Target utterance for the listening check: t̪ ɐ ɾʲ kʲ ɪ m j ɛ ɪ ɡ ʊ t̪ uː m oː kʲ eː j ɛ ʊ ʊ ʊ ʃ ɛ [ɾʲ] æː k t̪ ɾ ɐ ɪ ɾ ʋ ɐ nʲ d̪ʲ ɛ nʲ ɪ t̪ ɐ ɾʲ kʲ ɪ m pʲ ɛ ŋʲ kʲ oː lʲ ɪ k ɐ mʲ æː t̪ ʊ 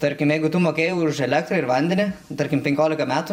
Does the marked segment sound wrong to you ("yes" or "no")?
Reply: yes